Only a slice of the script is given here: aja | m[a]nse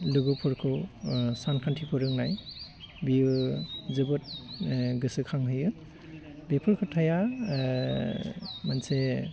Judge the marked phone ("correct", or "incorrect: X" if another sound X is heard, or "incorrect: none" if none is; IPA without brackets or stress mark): correct